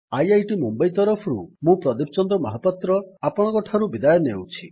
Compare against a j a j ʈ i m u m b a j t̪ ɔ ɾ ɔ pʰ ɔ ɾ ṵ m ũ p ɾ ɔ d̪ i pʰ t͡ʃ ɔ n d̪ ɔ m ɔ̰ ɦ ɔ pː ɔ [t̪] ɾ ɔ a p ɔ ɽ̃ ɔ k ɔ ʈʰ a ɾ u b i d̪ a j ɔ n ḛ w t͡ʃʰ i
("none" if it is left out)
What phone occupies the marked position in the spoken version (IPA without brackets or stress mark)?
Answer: t̪